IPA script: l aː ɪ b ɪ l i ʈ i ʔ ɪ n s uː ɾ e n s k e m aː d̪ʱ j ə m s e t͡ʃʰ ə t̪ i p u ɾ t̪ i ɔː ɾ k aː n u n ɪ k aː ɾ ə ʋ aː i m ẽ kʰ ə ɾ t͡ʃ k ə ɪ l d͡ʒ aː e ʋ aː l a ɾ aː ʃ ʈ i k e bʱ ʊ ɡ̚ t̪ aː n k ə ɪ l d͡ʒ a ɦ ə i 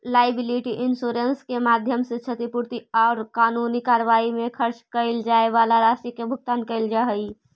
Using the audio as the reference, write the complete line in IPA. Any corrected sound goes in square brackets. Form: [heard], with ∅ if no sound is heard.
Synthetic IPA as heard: l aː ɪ b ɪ l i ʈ i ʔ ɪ n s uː ɾ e n s k e m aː d̪ʱ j ə m s e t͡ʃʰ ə t̪ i p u ɾ t̪ i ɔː ɾ k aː n u n [i] k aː ɾ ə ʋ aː i m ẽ kʰ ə ɾ t͡ʃ k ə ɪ l d͡ʒ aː e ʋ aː l a ɾ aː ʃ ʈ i k e bʱ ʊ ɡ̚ t̪ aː n k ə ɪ l d͡ʒ a ɦ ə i